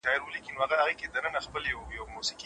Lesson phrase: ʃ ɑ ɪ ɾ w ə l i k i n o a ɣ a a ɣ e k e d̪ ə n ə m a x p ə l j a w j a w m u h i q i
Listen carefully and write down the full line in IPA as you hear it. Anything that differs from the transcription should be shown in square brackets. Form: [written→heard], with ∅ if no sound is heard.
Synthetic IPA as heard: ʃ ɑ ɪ ɾ w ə l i k i n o a ɣ a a ɣ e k e d̪ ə n ə [m→n] a x p ə l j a w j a w m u [h→s] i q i